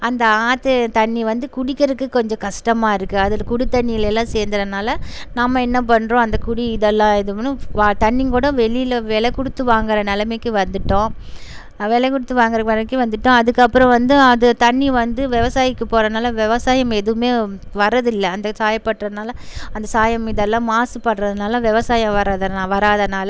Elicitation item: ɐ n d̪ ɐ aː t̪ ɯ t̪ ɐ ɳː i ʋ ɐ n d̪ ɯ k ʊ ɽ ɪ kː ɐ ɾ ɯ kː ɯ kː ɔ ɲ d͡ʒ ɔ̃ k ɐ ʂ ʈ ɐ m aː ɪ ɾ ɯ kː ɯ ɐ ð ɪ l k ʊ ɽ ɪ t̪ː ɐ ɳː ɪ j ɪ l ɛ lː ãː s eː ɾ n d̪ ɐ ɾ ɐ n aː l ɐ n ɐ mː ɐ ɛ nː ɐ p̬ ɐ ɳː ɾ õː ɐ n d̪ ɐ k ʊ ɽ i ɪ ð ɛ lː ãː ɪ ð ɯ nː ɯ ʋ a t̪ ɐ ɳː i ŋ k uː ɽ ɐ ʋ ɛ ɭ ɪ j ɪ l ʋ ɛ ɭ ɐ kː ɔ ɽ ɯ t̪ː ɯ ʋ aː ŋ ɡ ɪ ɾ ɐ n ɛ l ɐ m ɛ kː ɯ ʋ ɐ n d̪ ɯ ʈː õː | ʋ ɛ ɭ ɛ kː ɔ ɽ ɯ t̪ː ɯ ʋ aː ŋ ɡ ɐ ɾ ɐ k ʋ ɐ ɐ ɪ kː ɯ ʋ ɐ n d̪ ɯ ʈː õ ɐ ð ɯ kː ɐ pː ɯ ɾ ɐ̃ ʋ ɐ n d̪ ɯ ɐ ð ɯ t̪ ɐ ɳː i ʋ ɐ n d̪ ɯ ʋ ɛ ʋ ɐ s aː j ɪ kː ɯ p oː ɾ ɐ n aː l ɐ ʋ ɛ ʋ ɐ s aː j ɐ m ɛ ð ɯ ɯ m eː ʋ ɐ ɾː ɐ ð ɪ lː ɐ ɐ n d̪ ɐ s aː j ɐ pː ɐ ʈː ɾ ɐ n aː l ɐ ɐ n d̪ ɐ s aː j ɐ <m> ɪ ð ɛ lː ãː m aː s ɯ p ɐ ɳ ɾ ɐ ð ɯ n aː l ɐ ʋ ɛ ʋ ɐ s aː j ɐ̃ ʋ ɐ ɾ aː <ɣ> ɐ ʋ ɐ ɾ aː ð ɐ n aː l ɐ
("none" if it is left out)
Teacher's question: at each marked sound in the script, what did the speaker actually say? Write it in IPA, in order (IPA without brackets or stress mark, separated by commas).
m, ð